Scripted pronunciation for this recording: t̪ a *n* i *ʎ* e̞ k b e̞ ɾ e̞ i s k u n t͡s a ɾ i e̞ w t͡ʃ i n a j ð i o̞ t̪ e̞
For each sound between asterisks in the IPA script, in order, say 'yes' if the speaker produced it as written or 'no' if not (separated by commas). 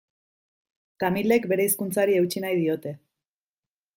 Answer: no, no